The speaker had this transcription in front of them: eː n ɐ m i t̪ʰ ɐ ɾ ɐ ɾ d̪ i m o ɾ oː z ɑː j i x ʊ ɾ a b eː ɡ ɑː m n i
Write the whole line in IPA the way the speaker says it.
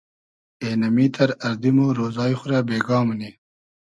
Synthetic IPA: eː n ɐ m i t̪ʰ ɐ ɾ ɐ ɾ d̪ i m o ɾ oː z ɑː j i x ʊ ɾ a b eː ɡ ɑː m n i